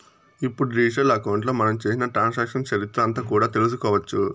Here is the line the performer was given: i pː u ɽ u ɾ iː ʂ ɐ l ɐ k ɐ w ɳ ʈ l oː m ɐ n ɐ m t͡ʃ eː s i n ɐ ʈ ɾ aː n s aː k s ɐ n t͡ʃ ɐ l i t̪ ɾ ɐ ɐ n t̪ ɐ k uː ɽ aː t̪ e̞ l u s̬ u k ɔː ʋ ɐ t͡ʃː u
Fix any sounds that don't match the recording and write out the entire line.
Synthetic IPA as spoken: i pː u ɽ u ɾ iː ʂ ɐ l ɐ k ɐ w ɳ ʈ l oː m ɐ n ɐ m t͡ʃ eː s i n ɐ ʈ ɾ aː n s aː k ʂ ɐ n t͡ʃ ɐ ɾ i t̪ ɾ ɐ ɐ n t̪ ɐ k uː ɽ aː t̪ e̞ l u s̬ u k ɔː ʋ ɐ t͡ʃː u